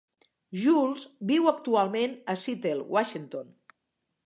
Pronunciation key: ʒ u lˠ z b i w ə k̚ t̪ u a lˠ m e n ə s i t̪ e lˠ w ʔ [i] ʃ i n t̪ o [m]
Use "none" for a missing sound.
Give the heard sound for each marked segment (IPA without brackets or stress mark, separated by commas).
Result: a, n